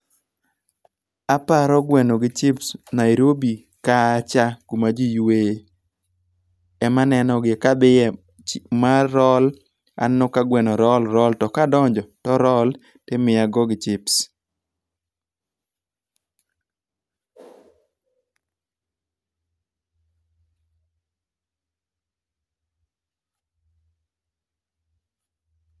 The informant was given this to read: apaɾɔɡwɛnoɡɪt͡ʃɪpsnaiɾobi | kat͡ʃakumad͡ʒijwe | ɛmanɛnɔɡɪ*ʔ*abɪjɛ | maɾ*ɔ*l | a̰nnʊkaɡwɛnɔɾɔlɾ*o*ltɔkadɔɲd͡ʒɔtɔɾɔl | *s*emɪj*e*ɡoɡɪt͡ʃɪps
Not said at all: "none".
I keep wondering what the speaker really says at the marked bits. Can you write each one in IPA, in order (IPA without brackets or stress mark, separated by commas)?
k, ɔ, ɔ, t, a